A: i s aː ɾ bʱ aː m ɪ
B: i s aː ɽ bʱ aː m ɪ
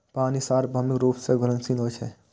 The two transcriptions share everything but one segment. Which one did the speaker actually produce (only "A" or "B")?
A